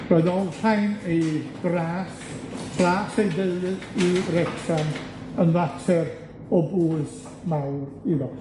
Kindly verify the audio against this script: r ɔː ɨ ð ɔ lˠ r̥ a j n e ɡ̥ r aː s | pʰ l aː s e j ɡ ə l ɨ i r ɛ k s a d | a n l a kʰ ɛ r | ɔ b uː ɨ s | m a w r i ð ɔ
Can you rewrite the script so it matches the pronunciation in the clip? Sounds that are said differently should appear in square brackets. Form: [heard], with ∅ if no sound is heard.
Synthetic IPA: r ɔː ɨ ð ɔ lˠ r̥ a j n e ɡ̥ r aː s | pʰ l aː s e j [d] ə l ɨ i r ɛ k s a [n] | [ə] n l a [tʰ] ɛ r | ɔ b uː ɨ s | m a w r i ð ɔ

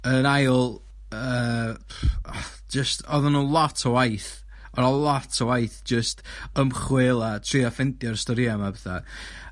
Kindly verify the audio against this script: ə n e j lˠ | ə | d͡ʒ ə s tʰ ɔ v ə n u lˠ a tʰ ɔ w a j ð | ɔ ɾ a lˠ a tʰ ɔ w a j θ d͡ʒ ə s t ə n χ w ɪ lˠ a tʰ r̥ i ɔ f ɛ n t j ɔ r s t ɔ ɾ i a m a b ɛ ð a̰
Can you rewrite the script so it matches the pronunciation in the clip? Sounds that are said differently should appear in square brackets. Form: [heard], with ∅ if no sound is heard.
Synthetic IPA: ə n [a] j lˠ | ə | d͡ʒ ə s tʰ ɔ [ð] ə n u lˠ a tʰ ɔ w a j [θ] | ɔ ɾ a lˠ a tʰ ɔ w a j θ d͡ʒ ə s t ə [m] χ w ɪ lˠ a tʰ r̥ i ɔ f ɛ n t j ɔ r s t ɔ ɾ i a m a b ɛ [θ] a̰

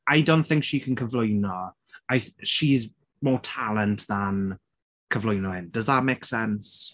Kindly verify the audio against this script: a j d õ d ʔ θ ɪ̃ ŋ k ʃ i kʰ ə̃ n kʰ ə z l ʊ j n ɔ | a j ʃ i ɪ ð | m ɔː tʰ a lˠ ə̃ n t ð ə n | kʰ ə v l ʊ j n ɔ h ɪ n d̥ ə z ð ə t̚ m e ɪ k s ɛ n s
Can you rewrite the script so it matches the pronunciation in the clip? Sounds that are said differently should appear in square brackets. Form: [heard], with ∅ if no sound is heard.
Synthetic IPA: a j d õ [n] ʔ θ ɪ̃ ŋ k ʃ i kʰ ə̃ n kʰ ə [v] l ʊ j n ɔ | a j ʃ i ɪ [z] | m ɔː tʰ a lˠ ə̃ n t ð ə n | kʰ ə v l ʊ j n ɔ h ɪ n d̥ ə z ð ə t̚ m e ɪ k s ɛ n s

